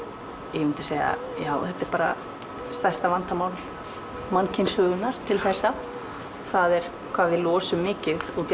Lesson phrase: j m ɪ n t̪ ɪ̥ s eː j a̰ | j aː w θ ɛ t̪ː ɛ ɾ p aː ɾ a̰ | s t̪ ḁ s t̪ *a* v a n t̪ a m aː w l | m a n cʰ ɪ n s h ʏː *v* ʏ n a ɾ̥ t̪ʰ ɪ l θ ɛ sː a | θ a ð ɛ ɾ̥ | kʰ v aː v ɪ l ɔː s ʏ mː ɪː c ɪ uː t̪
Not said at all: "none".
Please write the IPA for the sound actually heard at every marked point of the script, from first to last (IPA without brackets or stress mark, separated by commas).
a, ɣ